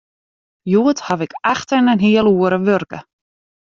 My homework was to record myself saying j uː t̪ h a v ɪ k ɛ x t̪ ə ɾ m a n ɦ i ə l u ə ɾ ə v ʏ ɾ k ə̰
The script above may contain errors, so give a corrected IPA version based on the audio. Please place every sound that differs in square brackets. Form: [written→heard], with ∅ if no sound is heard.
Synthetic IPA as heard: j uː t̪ h a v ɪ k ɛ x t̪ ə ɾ [m→n] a n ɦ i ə l u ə ɾ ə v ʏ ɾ k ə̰